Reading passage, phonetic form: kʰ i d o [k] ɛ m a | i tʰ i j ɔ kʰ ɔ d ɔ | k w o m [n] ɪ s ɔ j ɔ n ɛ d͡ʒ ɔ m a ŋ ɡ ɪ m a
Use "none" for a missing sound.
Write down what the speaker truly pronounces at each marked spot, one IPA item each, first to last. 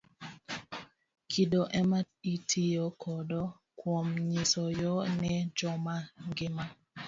ʔ, ɲ

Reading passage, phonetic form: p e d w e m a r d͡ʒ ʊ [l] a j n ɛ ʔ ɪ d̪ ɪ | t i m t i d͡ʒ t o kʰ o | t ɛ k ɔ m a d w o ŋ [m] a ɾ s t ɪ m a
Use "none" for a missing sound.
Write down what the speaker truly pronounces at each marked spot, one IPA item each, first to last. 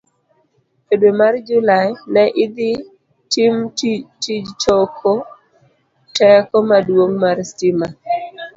l, m

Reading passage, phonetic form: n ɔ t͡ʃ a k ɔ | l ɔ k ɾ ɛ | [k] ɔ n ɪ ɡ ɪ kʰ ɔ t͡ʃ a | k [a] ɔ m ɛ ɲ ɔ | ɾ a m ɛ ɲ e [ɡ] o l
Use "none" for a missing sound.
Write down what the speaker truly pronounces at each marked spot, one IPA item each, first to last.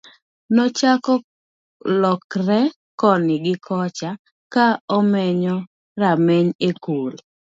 k, a, k

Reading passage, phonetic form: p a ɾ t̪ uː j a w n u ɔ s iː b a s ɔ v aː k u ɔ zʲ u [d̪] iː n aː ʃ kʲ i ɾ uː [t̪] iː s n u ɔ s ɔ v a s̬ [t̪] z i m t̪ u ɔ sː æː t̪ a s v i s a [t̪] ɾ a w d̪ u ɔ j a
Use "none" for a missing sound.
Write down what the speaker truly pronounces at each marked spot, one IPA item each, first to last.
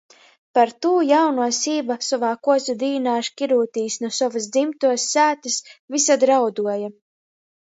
d̪, t̪, d̪, d̪

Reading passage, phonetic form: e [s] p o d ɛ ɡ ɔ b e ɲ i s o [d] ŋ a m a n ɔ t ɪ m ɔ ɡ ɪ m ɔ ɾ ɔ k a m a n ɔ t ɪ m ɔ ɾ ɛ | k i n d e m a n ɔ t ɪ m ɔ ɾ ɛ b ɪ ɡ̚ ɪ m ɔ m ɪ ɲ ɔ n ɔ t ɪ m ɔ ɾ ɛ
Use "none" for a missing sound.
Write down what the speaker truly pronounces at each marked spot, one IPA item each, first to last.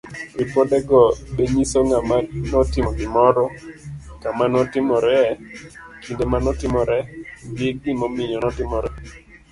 none, none

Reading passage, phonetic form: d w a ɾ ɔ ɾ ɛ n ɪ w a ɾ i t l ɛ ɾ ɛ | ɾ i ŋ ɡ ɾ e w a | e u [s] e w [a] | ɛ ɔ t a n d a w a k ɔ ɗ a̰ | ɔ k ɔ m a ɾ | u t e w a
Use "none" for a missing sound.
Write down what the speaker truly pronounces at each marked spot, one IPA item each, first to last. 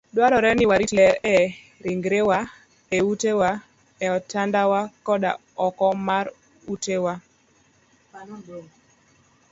t, a

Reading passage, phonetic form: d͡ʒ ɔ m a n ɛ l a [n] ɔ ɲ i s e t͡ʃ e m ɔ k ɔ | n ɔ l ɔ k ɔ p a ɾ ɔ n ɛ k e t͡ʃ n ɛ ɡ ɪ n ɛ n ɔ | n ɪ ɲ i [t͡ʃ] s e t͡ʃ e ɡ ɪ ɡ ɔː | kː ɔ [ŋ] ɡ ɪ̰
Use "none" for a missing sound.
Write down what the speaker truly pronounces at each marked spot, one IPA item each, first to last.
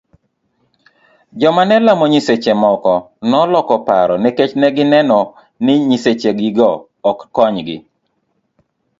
m, none, ɲ

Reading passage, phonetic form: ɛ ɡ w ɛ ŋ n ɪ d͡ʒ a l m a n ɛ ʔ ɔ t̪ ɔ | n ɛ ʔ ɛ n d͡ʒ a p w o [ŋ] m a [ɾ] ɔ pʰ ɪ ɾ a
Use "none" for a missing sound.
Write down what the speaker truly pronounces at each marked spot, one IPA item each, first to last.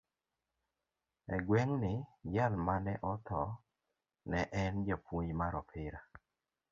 ɲ, ɾ

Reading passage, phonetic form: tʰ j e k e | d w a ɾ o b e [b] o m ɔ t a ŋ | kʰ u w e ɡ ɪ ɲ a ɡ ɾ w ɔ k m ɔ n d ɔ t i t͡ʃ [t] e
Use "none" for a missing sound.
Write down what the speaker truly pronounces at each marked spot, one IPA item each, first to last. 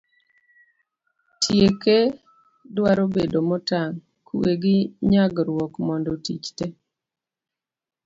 d, t

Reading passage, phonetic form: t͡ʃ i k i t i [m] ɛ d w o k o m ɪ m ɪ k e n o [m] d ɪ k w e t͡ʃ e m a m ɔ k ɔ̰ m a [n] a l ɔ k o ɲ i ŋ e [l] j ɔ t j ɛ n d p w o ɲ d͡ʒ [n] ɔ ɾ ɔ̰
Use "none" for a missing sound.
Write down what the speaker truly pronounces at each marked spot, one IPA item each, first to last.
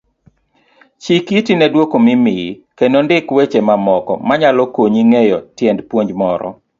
n, n, ɲ, none, m

